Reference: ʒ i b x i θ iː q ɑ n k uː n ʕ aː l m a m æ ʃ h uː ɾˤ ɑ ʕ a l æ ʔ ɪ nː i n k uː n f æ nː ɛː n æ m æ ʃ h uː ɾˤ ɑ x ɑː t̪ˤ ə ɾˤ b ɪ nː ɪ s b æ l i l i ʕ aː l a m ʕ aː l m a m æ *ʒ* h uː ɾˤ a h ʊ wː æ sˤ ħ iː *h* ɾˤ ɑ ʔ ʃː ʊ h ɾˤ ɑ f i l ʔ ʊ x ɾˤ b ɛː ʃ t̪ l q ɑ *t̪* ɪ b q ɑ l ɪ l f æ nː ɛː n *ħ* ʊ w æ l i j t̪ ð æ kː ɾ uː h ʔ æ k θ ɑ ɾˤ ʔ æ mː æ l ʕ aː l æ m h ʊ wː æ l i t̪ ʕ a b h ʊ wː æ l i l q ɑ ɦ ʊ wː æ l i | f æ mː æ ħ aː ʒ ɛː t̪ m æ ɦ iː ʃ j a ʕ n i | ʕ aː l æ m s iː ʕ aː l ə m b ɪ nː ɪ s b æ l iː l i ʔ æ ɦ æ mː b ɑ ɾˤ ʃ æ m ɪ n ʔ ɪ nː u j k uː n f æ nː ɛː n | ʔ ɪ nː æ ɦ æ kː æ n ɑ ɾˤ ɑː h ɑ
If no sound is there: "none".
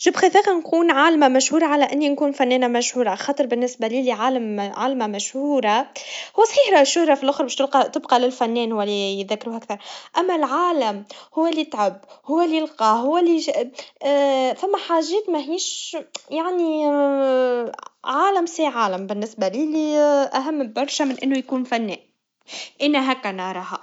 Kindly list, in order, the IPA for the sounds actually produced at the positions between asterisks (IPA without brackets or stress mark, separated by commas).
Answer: ʃ, ħ, t̪, h